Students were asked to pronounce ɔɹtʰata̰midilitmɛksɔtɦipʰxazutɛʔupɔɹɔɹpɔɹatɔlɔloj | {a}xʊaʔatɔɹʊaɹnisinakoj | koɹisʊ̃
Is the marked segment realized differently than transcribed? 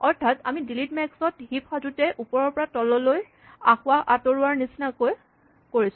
no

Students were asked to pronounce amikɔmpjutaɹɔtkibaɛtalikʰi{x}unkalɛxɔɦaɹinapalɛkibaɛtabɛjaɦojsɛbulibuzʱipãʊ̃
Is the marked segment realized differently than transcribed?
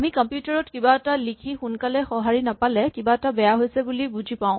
no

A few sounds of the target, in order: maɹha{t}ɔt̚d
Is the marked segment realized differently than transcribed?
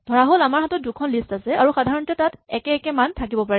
no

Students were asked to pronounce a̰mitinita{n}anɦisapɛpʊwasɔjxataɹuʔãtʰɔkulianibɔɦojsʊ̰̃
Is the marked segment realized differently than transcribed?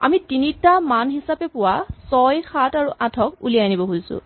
yes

